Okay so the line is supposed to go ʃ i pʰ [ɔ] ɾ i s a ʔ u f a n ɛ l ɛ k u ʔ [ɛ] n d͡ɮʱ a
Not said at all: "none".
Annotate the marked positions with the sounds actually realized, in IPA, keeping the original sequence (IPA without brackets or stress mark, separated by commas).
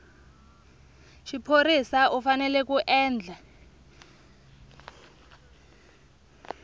o, ɛː